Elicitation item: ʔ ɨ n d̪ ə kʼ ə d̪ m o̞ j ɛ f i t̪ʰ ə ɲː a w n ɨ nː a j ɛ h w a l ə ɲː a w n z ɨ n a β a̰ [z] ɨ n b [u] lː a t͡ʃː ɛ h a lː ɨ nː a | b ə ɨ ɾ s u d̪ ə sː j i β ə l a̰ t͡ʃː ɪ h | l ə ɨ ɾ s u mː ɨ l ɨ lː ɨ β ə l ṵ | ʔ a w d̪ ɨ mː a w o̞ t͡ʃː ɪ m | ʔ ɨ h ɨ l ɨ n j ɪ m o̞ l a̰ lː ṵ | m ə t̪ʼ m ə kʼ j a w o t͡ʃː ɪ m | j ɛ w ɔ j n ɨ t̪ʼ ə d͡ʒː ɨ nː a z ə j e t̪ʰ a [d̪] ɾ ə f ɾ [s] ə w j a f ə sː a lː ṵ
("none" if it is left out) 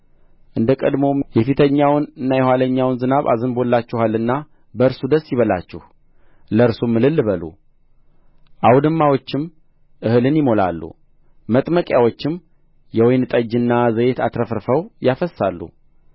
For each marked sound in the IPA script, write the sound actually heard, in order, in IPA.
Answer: z, o, t̪, f

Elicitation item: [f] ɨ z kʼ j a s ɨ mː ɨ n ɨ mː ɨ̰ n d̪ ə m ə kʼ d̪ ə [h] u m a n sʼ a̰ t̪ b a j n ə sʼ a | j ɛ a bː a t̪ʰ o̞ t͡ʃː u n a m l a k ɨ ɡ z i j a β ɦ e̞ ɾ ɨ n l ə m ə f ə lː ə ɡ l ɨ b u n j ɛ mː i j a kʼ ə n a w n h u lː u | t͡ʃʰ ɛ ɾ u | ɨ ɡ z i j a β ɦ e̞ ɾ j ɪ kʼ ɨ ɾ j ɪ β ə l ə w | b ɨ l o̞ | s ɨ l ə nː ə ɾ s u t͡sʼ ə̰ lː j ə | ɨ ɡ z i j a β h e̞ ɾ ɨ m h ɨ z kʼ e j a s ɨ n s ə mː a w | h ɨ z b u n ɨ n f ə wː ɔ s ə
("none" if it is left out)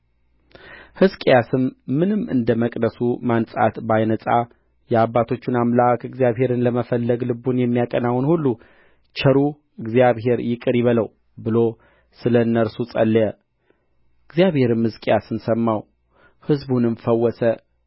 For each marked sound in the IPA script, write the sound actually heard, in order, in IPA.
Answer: h, s

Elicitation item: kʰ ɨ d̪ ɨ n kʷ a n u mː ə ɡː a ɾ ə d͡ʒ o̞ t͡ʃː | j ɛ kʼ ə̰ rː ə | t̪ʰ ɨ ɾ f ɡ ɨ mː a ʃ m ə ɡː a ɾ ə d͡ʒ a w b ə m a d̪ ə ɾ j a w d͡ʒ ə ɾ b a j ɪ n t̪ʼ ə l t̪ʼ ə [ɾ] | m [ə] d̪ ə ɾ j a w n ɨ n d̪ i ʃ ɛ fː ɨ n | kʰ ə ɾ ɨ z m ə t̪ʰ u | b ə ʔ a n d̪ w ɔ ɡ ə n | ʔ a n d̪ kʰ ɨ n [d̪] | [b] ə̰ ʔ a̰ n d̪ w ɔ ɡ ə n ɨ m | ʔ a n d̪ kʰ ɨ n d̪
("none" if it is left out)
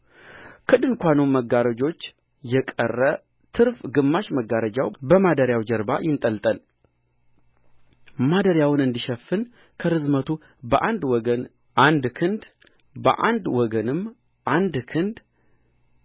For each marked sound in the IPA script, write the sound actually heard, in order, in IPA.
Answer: l, a, d̪, b

